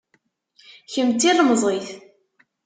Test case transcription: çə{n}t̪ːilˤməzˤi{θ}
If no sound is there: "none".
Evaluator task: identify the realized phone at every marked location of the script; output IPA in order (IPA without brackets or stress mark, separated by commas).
m, θ